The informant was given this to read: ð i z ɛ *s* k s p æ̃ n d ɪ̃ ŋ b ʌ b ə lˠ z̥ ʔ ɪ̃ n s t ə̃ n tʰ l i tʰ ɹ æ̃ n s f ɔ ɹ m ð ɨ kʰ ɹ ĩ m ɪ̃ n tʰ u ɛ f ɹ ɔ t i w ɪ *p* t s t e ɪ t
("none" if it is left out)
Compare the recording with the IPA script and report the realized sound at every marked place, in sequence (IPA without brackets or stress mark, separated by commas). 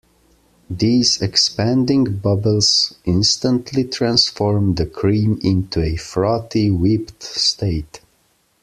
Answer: none, p